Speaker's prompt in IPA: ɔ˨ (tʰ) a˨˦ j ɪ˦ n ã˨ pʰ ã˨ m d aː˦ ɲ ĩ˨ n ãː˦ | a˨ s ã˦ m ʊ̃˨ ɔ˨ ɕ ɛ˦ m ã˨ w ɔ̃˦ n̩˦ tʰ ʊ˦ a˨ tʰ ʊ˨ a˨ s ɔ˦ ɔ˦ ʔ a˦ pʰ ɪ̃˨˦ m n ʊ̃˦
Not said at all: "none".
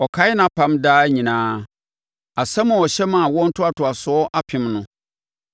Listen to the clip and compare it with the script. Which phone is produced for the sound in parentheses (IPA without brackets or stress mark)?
kʰ